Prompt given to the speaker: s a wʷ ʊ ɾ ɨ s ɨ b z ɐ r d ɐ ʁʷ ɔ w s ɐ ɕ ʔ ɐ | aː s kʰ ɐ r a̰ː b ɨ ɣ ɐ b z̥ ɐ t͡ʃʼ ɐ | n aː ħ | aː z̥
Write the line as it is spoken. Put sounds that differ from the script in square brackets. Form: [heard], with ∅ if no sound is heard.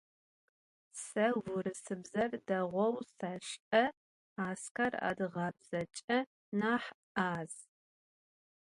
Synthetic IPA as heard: s [ɐ] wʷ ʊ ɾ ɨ s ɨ b z ɐ r d ɐ ʁʷ ɔ w s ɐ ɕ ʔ ɐ | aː s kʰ ɐ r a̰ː [d] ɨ [ʁ] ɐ b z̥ ɐ t͡ʃʼ ɐ | n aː ħ | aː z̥